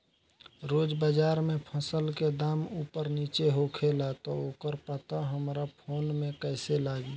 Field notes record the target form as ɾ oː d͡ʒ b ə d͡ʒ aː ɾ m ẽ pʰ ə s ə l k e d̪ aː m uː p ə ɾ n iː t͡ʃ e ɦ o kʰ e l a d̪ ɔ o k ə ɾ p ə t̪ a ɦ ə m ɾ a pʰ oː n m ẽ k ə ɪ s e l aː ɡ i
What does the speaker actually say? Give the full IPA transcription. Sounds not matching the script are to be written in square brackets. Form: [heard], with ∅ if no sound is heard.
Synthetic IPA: ɾ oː d͡ʒ b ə d͡ʒ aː ɾ m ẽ pʰ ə s ə l k e d̪ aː m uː p ə ɾ n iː t͡ʃ e ɦ o kʰ e l a [t̪] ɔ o k ə ɾ p ə t̪ a ɦ ə m ɾ a pʰ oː n m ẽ k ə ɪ s e l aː ɡ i